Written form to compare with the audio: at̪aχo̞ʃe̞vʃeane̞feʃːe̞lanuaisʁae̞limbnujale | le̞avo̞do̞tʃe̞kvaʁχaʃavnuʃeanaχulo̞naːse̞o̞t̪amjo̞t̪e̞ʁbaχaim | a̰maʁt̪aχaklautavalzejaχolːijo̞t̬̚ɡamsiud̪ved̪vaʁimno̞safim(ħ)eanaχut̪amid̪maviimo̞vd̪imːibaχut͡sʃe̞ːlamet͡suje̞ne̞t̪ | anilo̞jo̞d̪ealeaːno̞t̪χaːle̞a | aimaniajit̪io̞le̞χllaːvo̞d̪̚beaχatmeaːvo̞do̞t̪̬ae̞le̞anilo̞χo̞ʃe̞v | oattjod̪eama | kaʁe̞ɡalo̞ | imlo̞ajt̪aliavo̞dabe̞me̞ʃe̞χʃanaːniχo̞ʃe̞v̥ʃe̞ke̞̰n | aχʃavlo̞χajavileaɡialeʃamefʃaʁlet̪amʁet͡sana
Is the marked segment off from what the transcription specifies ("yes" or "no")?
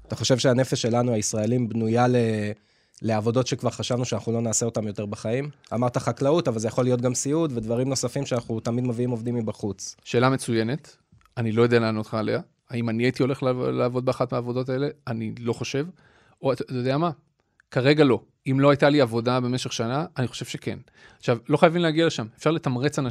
yes